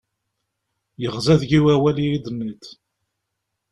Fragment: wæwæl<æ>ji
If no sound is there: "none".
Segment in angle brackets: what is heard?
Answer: i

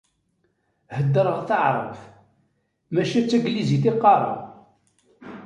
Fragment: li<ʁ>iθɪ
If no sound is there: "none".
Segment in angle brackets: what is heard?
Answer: z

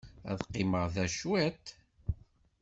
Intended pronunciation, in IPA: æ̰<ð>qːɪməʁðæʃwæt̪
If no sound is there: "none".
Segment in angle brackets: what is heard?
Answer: ð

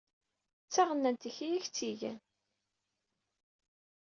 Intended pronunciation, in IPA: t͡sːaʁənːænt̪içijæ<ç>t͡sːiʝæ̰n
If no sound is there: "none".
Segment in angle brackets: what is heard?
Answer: ç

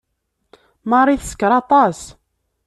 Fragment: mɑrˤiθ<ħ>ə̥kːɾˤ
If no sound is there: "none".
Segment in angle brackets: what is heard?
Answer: s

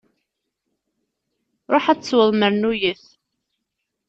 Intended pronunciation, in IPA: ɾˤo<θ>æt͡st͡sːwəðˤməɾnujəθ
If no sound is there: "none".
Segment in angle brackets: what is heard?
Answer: ħ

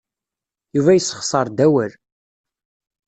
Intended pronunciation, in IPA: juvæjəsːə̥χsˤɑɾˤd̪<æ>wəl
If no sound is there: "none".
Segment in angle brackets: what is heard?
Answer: æ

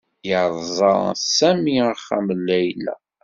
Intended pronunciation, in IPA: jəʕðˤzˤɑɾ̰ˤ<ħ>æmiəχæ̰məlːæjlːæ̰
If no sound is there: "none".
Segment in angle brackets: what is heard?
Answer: s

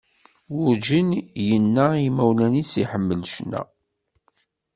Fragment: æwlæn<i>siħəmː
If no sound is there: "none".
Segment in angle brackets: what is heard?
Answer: i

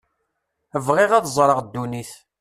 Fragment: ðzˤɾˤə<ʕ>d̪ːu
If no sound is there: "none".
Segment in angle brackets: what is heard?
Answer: ʁ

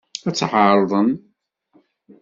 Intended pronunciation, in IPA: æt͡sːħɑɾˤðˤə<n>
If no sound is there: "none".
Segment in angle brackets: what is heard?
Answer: n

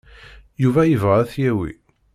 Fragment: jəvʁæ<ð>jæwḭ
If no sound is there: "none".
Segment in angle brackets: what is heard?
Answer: θ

